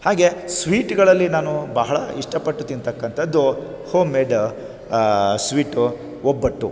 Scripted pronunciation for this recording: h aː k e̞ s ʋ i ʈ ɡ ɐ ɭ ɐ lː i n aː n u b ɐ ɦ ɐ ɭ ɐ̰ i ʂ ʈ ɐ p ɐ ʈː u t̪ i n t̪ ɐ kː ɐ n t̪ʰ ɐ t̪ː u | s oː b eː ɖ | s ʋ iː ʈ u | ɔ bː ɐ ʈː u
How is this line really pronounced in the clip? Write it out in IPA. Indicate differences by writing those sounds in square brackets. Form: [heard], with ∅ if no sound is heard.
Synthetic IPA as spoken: h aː [ɡ] e̞ s ʋ [iː] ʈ ɡ ɐ ɭ ɐ lː i n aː n u b ɐ ɦ ɐ ɭ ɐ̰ i ʂ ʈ ɐ p ɐ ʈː u t̪ i n t̪ ɐ kː ɐ n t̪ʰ ɐ [d̪ː] u | [h] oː [m] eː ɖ | s ʋ iː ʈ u | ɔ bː ɐ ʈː u